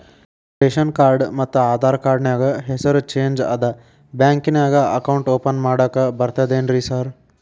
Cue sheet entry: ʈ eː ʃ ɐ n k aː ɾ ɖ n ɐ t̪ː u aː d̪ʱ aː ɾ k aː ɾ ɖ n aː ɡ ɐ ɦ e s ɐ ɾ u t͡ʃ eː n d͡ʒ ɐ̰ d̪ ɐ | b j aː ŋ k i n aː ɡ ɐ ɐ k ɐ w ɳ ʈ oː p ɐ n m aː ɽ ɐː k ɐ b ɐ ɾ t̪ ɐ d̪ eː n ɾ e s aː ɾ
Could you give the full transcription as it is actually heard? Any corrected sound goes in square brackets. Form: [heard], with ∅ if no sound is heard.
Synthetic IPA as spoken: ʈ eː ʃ ɐ n k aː ɾ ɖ [m] ɐ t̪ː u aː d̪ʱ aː ɾ k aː ɾ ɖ n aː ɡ ɐ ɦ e s ɐ ɾ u t͡ʃ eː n d͡ʒ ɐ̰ d̪ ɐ | b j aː ŋ k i n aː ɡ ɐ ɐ k ɐ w ɳ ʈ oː p ɐ n m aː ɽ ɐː k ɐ b ɐ ɾ t̪ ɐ d̪ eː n ɾ [i] s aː ɾ